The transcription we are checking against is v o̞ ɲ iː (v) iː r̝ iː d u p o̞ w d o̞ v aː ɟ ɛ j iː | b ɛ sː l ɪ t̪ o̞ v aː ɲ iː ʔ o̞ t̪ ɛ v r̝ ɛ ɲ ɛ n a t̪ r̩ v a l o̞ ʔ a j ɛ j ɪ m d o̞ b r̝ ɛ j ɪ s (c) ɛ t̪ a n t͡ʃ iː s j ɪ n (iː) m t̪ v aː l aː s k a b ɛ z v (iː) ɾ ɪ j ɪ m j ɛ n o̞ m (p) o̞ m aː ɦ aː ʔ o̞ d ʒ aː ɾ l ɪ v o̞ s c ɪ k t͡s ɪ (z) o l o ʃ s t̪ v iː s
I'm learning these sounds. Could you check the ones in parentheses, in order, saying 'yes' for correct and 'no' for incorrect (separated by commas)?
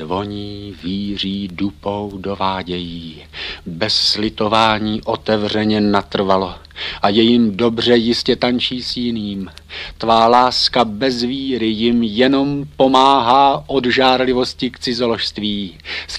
yes, yes, yes, yes, yes, yes